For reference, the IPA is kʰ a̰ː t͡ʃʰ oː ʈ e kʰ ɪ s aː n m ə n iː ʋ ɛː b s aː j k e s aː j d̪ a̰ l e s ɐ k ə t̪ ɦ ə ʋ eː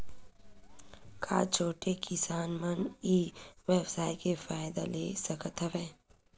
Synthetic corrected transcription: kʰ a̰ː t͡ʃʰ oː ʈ e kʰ ɪ s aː n m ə n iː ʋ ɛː b s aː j k e f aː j d̪ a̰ l e s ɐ k ə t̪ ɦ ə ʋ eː

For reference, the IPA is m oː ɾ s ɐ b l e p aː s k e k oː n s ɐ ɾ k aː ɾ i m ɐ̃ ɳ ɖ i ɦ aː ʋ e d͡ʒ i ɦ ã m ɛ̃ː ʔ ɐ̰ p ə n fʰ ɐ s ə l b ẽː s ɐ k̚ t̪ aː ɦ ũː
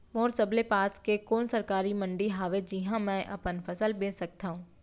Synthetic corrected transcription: m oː ɾ s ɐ b l e p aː s k e k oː n s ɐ ɾ k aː ɾ i m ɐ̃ ɳ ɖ i ɦ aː ʋ e d͡ʒ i ɦ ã m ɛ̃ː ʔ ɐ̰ p ə n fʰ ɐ s ə l b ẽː s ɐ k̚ t̪ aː ɦ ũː

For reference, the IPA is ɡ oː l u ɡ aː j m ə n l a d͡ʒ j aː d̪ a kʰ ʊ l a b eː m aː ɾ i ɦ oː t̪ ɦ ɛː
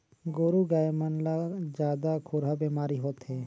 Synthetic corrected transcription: ɡ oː ɾ u ɡ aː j m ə n l a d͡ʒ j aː d̪ a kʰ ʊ ɾ a b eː m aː ɾ i ɦ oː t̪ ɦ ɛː

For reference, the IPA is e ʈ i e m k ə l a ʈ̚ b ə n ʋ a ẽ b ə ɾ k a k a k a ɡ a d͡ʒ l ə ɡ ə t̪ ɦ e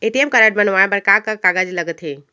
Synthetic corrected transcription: e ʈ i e m k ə ɾ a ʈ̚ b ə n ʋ a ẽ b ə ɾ k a k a k a ɡ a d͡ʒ l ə ɡ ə t̪ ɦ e

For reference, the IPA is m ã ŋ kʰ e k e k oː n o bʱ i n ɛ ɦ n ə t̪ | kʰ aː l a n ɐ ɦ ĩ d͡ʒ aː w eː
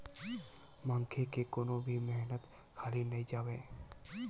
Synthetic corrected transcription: m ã ŋ kʰ e k e k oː n o bʱ i m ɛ ɦ n ə t̪ | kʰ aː l i n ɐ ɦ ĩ d͡ʒ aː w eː

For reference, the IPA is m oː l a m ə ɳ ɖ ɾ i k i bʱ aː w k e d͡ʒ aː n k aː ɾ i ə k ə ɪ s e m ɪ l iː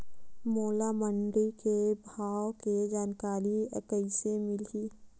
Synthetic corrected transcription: m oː l a m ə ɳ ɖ ɾ i k e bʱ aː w k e d͡ʒ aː n k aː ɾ i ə k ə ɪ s e m ɪ l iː

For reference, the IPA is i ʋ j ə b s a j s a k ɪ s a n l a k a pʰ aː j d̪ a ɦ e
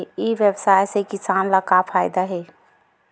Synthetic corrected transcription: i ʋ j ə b s a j s e k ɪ s a n l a k a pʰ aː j d̪ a ɦ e

